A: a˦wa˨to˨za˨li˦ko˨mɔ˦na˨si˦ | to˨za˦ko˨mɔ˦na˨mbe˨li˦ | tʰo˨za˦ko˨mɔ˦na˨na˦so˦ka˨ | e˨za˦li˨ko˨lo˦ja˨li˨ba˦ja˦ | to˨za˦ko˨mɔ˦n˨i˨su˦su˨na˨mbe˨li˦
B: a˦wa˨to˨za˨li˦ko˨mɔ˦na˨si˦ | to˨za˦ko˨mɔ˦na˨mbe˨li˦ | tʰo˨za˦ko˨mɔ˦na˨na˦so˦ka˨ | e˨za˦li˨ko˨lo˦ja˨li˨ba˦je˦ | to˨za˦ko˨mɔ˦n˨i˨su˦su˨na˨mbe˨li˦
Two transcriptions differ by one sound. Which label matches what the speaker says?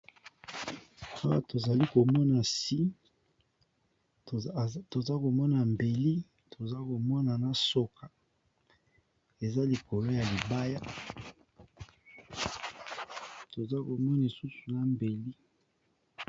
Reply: A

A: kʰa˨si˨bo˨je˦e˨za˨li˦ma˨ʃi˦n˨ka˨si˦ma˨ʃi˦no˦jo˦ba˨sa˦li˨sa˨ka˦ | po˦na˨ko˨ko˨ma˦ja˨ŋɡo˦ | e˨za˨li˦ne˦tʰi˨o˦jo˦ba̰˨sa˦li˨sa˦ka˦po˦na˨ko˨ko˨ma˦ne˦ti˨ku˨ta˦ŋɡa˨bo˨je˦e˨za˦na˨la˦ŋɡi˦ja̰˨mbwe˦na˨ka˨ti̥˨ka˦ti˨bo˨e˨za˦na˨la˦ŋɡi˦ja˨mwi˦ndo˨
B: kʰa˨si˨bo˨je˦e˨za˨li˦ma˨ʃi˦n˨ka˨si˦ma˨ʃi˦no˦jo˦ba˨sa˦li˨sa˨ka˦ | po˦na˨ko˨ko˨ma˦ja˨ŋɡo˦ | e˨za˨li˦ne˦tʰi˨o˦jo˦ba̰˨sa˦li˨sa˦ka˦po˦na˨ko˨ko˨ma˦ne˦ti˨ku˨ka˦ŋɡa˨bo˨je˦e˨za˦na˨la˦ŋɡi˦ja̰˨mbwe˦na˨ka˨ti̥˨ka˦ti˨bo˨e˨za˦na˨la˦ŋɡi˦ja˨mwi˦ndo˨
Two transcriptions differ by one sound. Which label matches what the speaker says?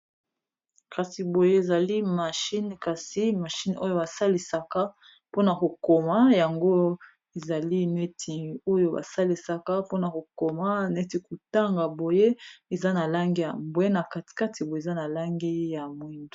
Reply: A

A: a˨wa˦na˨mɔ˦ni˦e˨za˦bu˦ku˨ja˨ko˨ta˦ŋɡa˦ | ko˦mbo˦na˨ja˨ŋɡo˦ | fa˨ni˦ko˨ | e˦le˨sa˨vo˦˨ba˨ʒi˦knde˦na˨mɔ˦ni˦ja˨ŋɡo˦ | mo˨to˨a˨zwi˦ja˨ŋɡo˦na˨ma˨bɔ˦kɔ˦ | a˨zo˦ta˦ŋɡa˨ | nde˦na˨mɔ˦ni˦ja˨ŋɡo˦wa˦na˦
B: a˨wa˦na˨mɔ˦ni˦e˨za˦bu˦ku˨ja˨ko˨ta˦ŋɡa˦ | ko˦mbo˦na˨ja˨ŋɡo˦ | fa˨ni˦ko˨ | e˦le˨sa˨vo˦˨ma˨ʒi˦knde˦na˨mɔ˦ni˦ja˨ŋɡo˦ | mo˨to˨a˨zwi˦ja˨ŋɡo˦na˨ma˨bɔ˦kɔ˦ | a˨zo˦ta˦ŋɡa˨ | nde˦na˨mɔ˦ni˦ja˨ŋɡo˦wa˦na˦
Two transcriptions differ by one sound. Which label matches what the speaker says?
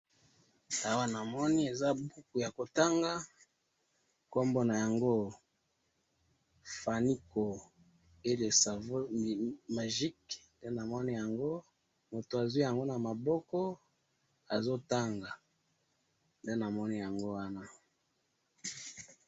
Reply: B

